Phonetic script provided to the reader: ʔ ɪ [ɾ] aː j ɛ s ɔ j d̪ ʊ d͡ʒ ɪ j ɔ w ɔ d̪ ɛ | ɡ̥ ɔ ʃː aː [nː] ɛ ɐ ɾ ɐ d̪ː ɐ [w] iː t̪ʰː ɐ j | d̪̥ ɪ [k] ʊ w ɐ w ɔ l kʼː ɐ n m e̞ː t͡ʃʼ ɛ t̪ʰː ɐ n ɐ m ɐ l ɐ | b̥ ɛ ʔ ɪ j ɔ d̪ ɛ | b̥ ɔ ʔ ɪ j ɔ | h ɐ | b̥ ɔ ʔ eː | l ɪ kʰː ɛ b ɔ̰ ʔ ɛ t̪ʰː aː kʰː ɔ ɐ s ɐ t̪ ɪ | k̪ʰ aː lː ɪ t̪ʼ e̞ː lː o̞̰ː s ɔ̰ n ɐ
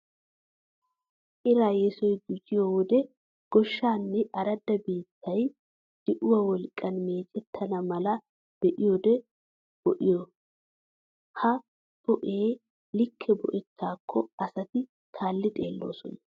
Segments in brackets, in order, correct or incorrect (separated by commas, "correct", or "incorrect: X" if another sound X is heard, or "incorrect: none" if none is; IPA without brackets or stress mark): correct, correct, incorrect: b, incorrect: ʔ